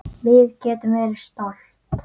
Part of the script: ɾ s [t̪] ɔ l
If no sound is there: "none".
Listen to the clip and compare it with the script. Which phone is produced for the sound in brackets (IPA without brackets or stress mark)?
t̪